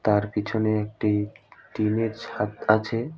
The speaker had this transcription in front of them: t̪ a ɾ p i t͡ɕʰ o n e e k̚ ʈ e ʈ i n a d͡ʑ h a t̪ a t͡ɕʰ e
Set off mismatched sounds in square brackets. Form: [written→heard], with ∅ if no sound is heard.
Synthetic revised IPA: t̪ a ɾ p i t͡ɕʰ o n e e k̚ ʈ [e→i] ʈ i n [a→e] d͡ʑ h a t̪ a t͡ɕʰ e